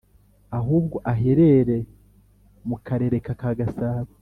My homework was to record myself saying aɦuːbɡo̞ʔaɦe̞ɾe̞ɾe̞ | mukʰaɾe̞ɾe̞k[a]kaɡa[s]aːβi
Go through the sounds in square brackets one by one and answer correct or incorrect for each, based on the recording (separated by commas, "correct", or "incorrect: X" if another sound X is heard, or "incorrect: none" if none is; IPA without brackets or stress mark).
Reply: correct, correct